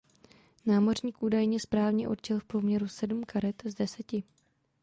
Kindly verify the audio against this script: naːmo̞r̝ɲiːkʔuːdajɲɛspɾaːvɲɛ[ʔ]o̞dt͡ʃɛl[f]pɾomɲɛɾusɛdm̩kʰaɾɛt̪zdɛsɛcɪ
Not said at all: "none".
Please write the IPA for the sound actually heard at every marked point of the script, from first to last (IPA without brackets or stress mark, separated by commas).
ʔ, f